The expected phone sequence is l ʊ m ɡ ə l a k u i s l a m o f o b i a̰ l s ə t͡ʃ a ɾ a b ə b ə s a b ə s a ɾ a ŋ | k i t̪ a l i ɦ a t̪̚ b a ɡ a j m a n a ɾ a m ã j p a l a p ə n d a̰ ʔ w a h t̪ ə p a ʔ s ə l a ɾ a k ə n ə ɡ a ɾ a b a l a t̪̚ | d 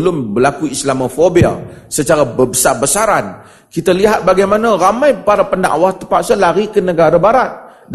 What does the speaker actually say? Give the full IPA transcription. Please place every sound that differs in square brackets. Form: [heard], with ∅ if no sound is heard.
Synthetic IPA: l ʊ m [b] ə l a k u i s l a m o f o b i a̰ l s ə t͡ʃ a ɾ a b ə b ə s a b ə s a ɾ a [n] | k i t̪ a l i ɦ a t̪̚ b a ɡ a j m a n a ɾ a m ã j p a [ɾ] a p ə n d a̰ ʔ w a h t̪ ə p a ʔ s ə l a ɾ [i] k ə n ə ɡ a ɾ a b a [ɾ] a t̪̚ | d